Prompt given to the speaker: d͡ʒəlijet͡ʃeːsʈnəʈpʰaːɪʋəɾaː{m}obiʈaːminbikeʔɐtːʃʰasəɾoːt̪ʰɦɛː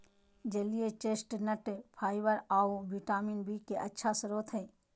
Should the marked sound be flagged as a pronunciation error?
yes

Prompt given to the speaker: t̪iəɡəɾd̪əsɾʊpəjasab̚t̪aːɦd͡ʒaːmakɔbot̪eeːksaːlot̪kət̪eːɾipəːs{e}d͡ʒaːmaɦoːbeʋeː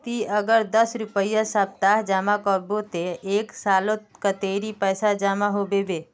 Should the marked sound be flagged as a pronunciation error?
yes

